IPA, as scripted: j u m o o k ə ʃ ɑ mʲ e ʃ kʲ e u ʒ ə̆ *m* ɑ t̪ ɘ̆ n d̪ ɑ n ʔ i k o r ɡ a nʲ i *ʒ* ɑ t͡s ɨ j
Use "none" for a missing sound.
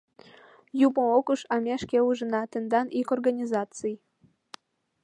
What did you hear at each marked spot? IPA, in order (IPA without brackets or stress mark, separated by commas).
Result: n, z